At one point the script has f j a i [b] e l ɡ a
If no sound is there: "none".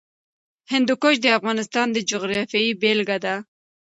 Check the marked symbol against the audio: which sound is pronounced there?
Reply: b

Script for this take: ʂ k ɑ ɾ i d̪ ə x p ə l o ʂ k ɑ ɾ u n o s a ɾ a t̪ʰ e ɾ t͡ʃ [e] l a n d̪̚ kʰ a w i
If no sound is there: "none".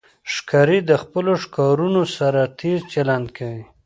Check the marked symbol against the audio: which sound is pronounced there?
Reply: a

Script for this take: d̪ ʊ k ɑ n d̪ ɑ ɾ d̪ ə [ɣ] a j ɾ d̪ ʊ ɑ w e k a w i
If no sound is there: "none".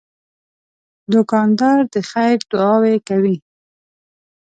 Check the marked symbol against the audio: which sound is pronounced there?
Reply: x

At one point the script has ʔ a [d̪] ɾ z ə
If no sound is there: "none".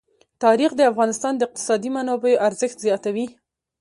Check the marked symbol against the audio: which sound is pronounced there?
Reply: none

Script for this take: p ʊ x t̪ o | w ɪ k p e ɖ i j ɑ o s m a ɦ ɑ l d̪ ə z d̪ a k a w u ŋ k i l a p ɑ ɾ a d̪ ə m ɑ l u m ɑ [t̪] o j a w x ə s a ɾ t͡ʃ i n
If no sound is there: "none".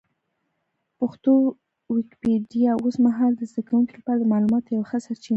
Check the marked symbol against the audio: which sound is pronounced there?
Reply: t̪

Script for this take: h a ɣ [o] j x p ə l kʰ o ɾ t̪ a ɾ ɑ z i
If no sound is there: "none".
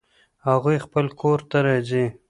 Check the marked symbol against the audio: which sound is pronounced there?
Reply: u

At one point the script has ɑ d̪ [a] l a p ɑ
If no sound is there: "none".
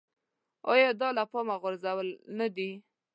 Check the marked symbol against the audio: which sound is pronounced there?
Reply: ɑ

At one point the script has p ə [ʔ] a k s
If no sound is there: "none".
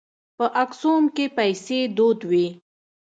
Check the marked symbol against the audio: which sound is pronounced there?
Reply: ʔ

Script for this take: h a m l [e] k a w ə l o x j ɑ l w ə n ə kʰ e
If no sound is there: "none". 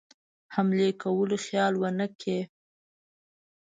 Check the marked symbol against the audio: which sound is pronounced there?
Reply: e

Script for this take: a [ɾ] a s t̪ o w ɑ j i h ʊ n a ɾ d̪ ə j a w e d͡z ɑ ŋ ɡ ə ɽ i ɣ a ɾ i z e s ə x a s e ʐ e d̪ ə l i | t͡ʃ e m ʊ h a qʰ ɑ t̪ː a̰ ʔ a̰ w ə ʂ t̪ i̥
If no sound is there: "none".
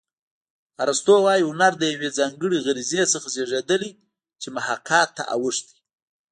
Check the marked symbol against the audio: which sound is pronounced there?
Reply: ɾ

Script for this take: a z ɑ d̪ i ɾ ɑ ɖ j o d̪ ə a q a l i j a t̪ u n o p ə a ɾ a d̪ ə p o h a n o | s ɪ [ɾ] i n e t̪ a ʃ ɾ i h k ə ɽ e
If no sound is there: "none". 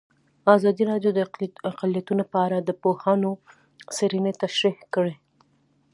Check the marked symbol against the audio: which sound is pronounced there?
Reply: ɾ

